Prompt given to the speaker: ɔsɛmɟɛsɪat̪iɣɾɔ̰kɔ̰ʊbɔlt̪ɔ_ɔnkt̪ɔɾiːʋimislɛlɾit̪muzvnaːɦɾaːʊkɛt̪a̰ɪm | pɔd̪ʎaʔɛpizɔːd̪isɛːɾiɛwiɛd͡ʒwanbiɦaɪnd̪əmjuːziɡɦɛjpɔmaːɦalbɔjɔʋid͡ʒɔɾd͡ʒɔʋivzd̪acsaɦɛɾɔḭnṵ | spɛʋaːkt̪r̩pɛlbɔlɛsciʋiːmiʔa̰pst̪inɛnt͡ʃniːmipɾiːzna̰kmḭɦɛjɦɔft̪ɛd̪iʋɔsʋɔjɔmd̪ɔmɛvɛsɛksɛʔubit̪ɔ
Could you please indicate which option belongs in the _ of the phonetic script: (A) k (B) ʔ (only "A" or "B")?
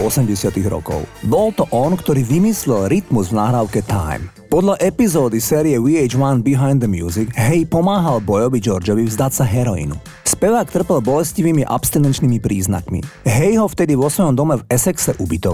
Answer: B